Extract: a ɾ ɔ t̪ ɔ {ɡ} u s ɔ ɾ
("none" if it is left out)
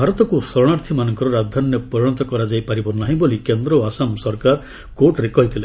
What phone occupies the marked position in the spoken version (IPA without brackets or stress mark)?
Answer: k